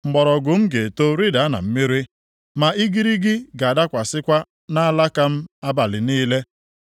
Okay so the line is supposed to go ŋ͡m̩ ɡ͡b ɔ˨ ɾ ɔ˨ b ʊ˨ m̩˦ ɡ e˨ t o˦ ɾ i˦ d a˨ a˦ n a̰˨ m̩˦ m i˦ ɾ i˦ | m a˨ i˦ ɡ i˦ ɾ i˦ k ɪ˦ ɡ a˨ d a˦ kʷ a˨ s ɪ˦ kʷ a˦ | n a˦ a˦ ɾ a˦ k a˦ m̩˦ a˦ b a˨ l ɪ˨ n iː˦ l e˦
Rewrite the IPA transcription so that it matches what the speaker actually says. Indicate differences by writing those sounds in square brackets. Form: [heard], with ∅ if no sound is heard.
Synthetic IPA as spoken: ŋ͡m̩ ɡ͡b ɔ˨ ɾ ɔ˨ [ɡ] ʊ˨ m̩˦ ɡ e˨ t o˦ ɾ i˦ d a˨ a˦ n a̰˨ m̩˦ m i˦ ɾ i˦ | m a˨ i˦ ɡ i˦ ɾ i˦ [ɡ] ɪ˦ ɡ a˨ d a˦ kʷ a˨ s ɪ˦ kʷ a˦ | n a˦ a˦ [l] a˦ k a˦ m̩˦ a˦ b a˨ l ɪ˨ n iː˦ l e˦